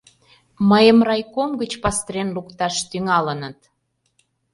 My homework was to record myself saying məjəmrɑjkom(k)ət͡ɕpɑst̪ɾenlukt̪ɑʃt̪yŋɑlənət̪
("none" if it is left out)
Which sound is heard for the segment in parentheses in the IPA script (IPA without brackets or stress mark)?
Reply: ɡ